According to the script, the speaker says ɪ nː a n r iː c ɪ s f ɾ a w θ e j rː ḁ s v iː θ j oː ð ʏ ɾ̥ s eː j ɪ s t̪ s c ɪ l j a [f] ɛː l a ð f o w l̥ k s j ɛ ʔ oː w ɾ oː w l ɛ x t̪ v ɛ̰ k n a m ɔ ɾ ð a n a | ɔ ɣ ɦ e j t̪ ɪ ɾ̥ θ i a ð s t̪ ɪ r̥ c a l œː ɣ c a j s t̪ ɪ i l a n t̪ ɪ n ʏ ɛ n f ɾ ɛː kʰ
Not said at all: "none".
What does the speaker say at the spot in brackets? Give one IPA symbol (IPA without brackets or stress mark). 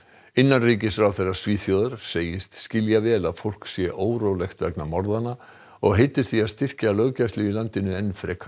v